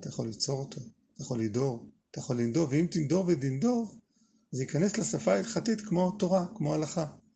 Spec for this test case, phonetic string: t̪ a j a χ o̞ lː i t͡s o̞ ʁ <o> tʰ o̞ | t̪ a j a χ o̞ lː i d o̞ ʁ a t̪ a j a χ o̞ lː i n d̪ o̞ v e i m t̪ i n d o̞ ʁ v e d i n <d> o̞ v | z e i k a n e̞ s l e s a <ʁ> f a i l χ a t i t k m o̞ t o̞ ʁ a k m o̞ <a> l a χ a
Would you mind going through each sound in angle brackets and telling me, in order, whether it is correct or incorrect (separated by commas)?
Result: correct, correct, incorrect, correct